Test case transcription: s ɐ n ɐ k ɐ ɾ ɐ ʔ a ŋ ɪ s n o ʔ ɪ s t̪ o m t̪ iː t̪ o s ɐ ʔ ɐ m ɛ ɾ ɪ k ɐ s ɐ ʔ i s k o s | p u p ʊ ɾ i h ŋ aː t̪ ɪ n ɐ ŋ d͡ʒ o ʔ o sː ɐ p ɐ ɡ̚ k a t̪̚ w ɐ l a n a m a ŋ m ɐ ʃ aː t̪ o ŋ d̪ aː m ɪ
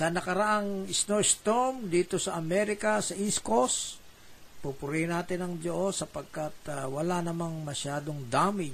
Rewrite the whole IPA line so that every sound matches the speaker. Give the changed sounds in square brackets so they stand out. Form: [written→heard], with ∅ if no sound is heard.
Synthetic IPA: s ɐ n ɐ k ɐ ɾ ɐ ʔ a ŋ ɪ s n o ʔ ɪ s t̪ o m [t̪→d̪] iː t̪ o s ɐ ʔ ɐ m ɛ ɾ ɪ k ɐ s ɐ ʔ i s k o s | p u p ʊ ɾ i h [ŋ→n] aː t̪ ɪ n ɐ ŋ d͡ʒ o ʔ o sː ɐ p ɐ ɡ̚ k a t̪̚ w ɐ l a n [a→ɐ] m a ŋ m ɐ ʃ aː [t̪→d̪] o ŋ d̪ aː m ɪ